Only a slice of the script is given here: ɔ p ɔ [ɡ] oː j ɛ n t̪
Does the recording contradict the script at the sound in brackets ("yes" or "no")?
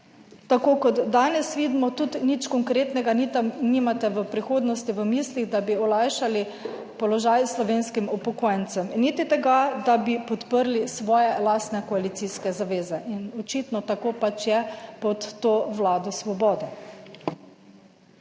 yes